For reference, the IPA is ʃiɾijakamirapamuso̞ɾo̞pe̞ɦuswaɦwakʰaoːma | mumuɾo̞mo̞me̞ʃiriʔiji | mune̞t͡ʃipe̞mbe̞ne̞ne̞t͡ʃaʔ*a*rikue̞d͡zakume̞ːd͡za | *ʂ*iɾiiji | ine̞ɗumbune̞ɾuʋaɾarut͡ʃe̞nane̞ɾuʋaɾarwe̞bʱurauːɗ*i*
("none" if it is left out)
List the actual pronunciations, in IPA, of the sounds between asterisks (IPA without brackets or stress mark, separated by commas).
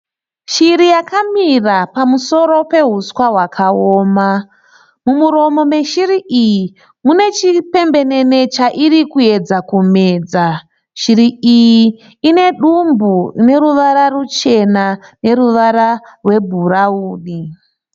i, ʃ, i